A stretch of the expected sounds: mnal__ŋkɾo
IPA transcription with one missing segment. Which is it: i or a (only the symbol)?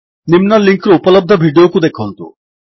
i